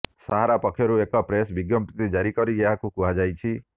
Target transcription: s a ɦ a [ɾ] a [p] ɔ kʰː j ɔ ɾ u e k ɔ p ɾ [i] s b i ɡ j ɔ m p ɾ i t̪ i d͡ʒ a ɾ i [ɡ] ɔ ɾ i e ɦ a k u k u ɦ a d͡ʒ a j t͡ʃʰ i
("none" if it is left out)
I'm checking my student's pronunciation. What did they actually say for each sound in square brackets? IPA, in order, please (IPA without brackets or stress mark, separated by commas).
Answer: ɾ, p, e, k